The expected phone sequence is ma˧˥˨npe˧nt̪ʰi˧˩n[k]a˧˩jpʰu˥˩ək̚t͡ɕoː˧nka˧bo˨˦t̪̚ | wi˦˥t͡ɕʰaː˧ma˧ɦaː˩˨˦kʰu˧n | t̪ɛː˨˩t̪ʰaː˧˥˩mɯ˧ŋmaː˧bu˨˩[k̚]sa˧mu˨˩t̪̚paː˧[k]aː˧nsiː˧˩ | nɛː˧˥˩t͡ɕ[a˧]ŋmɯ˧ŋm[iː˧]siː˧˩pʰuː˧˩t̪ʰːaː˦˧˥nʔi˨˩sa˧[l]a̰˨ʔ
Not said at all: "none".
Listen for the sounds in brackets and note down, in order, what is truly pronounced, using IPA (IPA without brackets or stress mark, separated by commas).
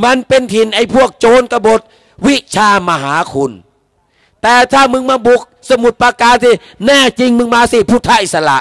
ʔ, k̚, k, i˧, aː˧, l